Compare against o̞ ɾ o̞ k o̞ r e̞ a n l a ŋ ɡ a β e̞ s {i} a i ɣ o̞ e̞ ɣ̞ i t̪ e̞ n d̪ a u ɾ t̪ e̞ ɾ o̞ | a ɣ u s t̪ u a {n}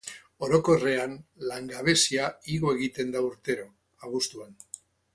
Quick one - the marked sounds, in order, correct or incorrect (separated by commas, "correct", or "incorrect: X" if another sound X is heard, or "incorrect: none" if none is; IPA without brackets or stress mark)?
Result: correct, correct